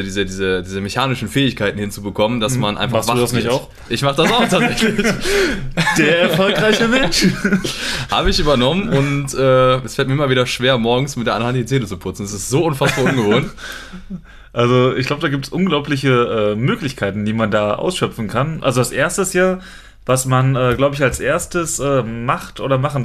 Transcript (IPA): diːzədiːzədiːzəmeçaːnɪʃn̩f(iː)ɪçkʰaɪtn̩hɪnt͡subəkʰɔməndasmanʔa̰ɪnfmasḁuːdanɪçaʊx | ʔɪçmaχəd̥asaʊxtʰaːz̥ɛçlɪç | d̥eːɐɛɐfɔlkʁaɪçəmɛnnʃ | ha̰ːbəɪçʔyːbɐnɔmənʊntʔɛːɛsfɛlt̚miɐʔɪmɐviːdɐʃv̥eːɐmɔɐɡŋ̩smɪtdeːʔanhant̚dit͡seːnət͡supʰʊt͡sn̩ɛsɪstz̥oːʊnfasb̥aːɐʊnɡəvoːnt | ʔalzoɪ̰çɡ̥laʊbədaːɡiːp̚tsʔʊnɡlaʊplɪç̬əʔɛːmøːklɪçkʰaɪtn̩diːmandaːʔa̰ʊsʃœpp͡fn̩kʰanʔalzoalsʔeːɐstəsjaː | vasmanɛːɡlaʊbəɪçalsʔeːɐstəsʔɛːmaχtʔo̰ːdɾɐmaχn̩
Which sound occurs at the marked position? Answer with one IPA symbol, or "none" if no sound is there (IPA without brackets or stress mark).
ɛː